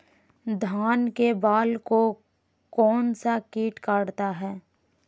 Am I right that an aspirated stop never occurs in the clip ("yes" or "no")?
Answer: yes